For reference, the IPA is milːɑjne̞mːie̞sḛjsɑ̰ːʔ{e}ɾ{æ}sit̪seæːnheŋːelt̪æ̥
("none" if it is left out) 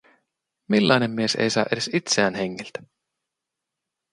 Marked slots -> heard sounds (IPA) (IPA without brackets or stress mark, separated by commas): e, e